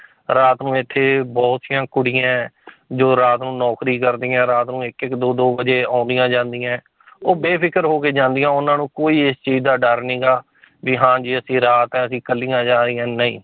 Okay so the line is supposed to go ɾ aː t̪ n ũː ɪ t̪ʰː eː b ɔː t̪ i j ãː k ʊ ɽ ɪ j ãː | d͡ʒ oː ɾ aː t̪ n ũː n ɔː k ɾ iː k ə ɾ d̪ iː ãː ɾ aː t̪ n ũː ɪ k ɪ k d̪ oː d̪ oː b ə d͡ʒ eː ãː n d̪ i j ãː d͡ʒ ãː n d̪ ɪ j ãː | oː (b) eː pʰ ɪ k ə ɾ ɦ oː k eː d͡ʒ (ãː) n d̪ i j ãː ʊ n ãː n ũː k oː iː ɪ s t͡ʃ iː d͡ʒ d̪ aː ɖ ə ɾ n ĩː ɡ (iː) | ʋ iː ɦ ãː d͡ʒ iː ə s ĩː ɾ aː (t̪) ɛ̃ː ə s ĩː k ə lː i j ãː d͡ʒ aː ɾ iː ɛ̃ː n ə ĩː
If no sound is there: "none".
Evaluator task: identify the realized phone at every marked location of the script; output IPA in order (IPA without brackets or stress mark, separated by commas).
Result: b, ãː, aː, t̪